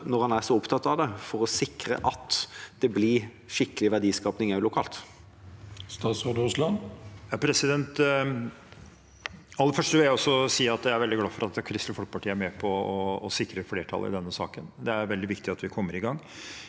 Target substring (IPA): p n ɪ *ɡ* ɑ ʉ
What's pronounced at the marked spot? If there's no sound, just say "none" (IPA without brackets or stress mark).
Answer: ŋ